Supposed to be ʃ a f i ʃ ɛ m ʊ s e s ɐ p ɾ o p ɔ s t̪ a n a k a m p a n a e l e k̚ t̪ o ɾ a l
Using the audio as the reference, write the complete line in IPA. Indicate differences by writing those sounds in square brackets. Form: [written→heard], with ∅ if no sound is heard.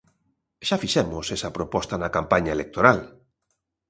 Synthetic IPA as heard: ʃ a f i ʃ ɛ m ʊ s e s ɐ p ɾ o p ɔ s t̪ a n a k a m p a [n→ɲ] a e l e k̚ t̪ o ɾ a l